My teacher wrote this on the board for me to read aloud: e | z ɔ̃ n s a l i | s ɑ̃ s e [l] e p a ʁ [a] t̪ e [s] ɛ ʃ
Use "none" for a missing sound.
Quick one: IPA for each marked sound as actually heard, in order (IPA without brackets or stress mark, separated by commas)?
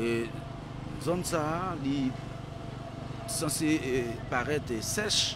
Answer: none, ɛ, s